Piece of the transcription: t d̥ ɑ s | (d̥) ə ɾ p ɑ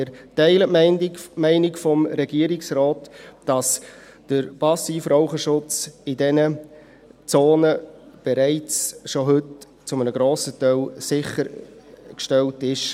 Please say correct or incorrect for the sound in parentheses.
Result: correct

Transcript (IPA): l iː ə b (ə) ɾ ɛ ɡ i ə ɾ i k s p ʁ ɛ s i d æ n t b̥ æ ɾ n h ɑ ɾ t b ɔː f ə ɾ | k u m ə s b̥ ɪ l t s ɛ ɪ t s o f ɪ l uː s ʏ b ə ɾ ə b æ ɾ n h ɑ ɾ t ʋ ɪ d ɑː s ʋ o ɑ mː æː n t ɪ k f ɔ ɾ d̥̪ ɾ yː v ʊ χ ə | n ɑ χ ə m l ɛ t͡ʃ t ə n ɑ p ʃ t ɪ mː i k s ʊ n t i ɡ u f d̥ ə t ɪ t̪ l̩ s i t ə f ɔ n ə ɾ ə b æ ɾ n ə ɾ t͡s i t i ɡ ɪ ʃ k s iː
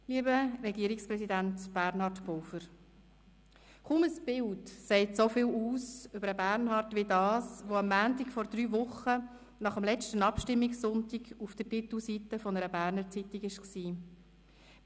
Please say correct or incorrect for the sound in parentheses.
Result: correct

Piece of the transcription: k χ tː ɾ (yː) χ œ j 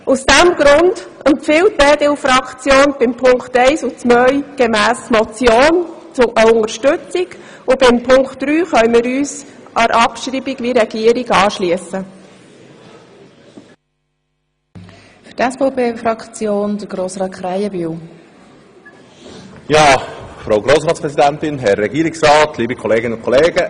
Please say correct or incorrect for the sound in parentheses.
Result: correct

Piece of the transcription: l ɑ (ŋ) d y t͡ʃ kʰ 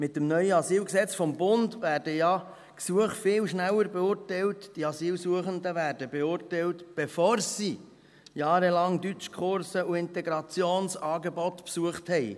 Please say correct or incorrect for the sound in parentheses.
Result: correct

